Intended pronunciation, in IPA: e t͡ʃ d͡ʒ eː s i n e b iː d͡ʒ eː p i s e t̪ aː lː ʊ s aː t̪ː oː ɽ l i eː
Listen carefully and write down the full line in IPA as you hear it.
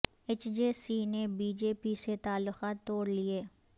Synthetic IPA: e t͡ʃ d͡ʒ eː s i n e b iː d͡ʒ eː p i s e t̪ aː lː ʊ x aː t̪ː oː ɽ l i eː